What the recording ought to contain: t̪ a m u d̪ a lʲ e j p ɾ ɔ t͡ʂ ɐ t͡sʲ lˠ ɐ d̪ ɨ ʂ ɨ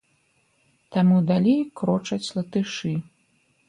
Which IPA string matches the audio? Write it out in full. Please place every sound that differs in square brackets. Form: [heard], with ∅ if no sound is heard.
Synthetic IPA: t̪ a m u d̪ a lʲ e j [k] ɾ ɔ t͡ʂ ɐ t͡sʲ lˠ ɐ [t̪] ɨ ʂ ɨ

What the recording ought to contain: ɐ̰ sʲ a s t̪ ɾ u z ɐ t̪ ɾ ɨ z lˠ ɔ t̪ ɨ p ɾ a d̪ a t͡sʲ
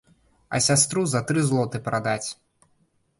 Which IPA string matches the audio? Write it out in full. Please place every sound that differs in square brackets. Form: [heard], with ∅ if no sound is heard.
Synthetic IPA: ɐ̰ sʲ a s t̪ ɾ u z ɐ t̪ ɾ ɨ z lˠ ɔ t̪ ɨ p ɾ a d̪ a t͡sʲ

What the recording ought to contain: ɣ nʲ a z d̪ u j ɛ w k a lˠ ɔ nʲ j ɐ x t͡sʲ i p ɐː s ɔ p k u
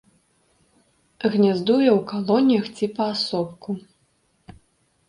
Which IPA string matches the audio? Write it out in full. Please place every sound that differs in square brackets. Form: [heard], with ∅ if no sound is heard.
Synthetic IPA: ɣ nʲ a z d̪ u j ɛ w k a lˠ ɔ nʲ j ɐ x t͡sʲ i p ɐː s ɔ p k u

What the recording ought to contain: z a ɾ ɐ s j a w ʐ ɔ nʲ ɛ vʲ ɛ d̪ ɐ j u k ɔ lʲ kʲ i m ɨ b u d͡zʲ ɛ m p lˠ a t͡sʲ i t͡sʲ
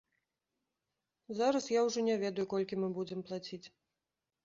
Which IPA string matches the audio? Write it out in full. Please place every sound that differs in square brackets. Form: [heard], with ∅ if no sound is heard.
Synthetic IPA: z a ɾ ɐ s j a w ʐ ɔ nʲ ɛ vʲ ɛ d̪ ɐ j u k ɔ lʲ kʲ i m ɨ b u d͡zʲ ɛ m p lˠ a t͡sʲ i t͡sʲ

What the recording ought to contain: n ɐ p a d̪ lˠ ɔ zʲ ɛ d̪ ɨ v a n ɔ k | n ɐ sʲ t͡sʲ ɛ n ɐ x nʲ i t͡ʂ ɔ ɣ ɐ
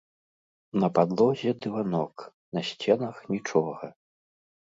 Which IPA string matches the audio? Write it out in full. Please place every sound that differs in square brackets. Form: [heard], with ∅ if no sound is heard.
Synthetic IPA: n ɐ p a d̪ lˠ ɔ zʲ ɛ d̪ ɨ v a n ɔ k | n ɐ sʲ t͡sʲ ɛ n ɐ x nʲ i t͡ʂ ɔ ɣ ɐ

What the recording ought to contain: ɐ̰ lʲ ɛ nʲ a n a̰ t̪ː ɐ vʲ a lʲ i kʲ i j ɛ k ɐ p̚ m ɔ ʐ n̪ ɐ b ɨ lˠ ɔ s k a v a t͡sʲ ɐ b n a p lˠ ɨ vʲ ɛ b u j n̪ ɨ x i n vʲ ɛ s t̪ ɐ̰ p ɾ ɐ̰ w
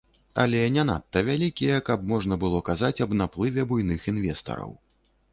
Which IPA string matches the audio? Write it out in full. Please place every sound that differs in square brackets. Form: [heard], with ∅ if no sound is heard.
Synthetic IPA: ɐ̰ lʲ ɛ nʲ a n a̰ t̪ː ɐ vʲ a lʲ i kʲ i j ɛ k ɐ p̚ m ɔ ʐ n̪ ɐ b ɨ lˠ ɔ [∅] k a [z] a t͡sʲ ɐ b n a p lˠ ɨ vʲ ɛ b u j n̪ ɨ x i n vʲ ɛ s t̪ ɐ̰ [∅] ɾ ɐ̰ w

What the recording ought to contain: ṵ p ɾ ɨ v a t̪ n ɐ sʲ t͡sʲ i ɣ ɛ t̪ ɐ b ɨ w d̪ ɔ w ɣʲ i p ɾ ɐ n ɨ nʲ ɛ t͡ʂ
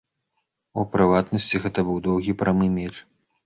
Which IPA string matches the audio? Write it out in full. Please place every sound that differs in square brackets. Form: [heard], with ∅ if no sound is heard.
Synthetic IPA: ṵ p ɾ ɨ v a t̪ n ɐ sʲ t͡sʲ i ɣ ɛ t̪ ɐ b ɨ w d̪ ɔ w ɣʲ i p ɾ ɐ [m] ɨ [mʲ] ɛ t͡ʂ

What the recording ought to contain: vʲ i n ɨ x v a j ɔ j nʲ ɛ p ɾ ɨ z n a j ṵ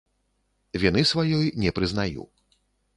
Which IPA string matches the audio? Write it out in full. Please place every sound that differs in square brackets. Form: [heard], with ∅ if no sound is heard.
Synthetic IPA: vʲ i n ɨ [s] v a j ɔ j nʲ ɛ p ɾ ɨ z n a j ṵ

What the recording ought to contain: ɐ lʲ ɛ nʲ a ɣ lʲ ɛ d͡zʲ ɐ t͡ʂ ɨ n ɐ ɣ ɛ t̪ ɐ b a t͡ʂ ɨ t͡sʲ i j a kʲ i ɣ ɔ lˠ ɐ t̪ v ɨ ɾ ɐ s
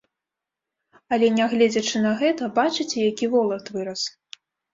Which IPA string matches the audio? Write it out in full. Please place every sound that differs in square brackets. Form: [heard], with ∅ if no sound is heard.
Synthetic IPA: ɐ lʲ ɛ nʲ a ɣ lʲ ɛ d͡zʲ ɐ t͡ʂ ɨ n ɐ ɣ ɛ t̪ ɐ b a t͡ʂ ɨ t͡sʲ [ɛ] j a kʲ i [v] ɔ lˠ ɐ t̪ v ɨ ɾ ɐ s

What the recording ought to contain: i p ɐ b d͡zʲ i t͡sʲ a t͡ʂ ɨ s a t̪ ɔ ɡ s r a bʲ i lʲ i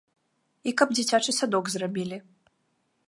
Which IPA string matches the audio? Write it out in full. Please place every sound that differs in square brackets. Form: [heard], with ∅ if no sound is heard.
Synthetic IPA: i [k] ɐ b d͡zʲ i t͡sʲ a t͡ʂ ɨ s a [d̪] ɔ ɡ [z] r a bʲ i lʲ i

